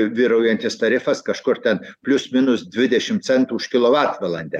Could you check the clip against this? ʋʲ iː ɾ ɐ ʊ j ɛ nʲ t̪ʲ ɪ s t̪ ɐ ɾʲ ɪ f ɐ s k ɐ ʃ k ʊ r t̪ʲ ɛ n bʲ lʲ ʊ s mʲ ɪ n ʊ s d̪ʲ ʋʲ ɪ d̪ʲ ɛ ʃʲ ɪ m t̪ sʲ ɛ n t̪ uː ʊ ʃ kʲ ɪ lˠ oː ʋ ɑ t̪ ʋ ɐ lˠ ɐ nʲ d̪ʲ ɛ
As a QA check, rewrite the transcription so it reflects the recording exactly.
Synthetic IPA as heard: ʋʲ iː ɾ ɐ ʊ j ɛ nʲ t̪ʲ ɪ s t̪ ɐ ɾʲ ɪ f ɐ s k ɐ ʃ k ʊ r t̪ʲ ɛ n pʲ lʲ ʊ s mʲ ɪ n ʊ s d̪ʲ ʋʲ ɪ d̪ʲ ɛ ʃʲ ɪ m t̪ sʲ ɛ n t̪ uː ʊ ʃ kʲ ɪ lˠ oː ʋ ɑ t̪ ʋ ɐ lˠ ɐ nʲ d̪ʲ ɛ